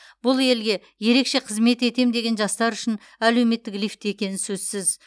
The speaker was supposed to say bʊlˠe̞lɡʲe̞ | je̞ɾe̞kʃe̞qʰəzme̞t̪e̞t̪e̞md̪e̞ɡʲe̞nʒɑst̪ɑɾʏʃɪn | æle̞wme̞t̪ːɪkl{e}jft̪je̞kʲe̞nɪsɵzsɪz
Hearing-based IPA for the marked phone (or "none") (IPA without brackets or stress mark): i